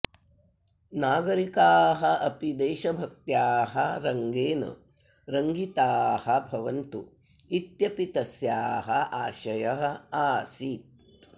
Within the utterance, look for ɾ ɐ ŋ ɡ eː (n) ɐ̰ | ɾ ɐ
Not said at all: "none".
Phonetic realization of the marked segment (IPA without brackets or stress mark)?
n